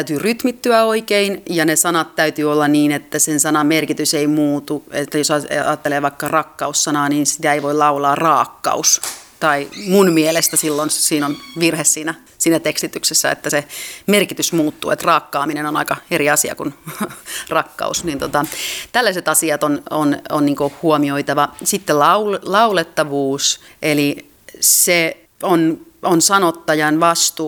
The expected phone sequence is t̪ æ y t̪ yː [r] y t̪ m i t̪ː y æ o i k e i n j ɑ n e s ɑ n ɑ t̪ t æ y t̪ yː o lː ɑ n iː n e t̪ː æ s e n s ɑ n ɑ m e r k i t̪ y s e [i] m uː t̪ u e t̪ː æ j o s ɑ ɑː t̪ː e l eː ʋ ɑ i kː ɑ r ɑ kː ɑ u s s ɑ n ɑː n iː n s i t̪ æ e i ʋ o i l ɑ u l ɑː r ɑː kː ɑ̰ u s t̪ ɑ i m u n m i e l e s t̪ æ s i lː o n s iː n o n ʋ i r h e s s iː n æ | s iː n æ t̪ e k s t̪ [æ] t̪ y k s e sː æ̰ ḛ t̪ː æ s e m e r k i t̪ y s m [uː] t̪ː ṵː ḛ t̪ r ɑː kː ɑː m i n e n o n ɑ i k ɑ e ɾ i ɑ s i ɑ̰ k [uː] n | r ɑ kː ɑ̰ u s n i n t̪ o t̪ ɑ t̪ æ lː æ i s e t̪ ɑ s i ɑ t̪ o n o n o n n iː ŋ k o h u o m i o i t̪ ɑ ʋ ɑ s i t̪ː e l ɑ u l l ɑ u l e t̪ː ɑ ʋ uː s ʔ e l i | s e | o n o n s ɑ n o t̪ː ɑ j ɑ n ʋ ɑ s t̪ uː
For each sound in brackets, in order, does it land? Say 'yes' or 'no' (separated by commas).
yes, yes, no, yes, no